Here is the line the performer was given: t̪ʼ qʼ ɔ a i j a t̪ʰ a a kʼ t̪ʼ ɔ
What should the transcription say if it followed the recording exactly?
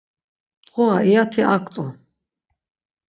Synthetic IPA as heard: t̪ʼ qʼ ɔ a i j a t̪ʰ i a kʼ t̪ʼ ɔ